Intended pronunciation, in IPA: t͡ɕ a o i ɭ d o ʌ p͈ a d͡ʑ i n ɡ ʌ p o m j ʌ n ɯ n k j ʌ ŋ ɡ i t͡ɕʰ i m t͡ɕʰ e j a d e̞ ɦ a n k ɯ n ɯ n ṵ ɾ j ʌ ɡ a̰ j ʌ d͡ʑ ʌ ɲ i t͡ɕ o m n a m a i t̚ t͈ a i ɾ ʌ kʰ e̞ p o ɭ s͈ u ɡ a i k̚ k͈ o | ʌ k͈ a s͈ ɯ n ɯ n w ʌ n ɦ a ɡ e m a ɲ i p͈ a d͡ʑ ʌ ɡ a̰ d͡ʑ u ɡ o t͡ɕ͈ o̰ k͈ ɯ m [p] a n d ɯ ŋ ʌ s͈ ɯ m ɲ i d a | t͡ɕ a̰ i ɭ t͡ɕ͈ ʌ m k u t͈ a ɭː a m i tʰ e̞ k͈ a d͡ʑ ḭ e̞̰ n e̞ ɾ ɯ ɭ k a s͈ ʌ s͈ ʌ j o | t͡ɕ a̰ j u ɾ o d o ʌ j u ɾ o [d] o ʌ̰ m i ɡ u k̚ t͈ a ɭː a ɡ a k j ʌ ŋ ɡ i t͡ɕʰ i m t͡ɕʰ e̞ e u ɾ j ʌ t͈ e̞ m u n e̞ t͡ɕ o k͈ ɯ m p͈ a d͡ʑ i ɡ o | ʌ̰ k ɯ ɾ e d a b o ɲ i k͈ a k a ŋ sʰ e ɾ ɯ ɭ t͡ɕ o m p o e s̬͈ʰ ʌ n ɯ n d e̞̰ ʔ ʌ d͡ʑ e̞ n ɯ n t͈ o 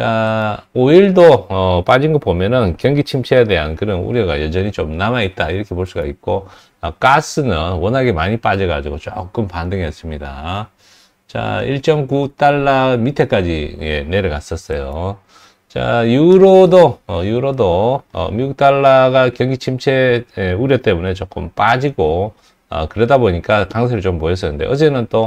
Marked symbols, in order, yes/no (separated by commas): yes, yes